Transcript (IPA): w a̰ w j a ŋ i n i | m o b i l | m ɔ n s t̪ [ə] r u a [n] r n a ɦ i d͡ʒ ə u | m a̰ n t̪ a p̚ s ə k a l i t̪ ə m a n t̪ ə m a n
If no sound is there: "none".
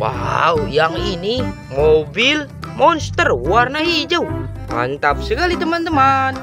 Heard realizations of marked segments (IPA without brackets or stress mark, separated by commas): ə, none